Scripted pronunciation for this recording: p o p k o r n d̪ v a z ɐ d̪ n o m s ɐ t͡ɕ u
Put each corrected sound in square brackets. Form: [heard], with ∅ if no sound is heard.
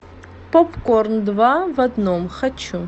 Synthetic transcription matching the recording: p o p k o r n d̪ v a [v] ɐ d̪ n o m [x] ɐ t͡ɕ u